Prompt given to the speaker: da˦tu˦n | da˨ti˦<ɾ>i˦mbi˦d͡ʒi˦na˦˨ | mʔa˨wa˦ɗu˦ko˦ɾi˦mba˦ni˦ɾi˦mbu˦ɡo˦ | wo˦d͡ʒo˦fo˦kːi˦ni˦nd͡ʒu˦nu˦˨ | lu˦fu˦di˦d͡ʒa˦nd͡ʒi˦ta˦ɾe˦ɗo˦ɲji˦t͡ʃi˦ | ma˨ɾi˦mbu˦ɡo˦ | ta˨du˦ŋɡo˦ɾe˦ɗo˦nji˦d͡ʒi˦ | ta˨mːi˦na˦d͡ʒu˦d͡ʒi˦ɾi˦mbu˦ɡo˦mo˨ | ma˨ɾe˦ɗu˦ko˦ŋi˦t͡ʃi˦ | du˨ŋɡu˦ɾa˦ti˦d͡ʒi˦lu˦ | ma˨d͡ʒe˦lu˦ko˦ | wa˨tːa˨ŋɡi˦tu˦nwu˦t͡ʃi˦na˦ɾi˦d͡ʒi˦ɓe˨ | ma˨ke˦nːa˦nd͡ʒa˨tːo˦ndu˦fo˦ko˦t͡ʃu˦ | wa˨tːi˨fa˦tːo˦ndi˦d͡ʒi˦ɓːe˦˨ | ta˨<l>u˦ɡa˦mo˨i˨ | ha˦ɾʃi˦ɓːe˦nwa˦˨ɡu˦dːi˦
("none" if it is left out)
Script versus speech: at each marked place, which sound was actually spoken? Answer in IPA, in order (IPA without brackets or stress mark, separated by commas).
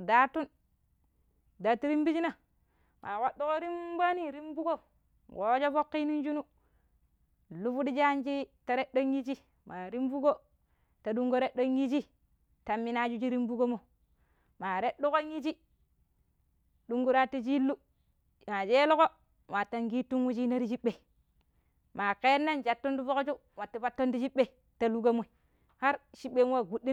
ɾ, l